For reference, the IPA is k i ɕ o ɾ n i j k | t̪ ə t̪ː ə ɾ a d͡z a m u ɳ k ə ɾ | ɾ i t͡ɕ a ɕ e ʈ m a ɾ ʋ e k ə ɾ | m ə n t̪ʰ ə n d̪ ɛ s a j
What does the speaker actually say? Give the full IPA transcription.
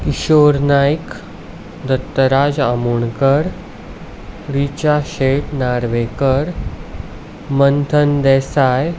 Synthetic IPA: k i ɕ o ɾ n a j k | d̪ ə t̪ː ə ɾ a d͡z a m u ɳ k ə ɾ | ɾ i t͡ɕ a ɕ e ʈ n a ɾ ʋ e k ə ɾ | m ə n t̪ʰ ə n d̪ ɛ s a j